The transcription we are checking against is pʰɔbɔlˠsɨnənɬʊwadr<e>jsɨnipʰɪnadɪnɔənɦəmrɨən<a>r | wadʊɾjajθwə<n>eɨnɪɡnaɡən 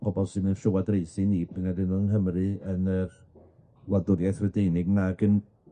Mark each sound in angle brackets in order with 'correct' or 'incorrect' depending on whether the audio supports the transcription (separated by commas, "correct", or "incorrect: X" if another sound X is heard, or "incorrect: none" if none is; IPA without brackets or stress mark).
correct, incorrect: ə, incorrect: d